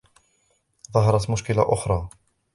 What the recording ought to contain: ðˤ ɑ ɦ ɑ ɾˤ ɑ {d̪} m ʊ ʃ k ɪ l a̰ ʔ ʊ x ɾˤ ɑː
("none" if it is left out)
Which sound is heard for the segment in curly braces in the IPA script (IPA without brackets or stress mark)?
t̪